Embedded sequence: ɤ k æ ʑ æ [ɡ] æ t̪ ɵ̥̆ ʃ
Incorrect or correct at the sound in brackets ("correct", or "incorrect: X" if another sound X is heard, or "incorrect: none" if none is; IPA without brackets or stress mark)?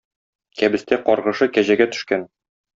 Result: correct